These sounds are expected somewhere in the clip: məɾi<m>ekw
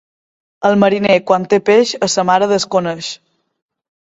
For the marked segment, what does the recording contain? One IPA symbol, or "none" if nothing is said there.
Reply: n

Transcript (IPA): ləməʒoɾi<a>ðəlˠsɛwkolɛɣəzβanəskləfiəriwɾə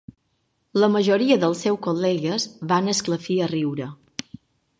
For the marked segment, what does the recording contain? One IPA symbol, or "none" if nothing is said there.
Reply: ə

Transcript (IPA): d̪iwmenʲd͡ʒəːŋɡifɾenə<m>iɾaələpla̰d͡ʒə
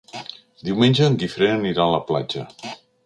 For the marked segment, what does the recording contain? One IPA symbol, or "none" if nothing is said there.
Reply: n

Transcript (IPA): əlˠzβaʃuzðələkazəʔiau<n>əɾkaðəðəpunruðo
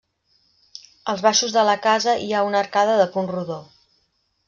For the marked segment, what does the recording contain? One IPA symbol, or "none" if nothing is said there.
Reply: n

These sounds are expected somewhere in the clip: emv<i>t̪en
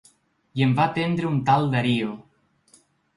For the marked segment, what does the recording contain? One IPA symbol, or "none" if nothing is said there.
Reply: a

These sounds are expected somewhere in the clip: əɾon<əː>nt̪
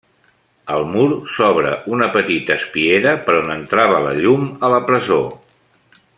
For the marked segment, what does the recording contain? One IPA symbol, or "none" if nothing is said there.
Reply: ə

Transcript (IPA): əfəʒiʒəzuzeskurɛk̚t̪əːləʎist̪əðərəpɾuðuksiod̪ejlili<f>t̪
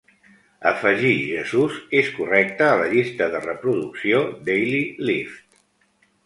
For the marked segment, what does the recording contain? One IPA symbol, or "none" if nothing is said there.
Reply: f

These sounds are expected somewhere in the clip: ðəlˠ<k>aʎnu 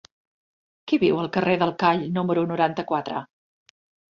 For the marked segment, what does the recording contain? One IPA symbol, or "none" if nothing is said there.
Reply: k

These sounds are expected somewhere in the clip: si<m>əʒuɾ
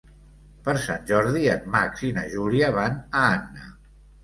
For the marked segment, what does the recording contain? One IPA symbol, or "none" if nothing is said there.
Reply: n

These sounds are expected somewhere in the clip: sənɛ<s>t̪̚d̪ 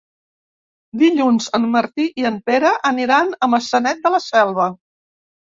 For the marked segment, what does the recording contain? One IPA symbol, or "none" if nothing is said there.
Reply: none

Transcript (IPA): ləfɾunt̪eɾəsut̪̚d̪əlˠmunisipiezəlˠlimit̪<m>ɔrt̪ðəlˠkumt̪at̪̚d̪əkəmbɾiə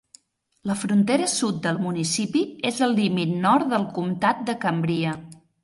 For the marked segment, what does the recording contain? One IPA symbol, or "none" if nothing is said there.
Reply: n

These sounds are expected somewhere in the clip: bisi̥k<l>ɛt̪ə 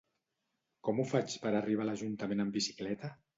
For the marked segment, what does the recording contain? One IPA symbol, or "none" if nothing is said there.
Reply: l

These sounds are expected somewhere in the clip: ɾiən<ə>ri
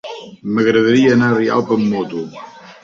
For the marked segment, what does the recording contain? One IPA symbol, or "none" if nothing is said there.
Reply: a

